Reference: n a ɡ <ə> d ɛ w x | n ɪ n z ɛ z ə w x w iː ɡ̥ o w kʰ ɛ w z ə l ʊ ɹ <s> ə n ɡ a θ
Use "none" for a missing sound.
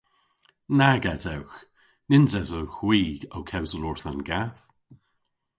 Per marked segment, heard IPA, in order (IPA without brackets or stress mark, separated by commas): a, θ